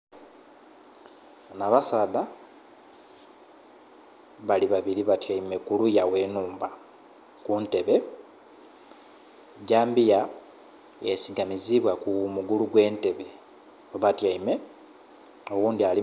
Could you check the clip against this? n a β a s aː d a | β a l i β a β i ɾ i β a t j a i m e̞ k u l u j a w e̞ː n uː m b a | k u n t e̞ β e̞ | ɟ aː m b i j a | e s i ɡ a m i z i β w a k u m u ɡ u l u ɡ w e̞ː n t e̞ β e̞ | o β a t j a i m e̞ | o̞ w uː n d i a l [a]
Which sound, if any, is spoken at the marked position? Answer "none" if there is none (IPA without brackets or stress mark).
i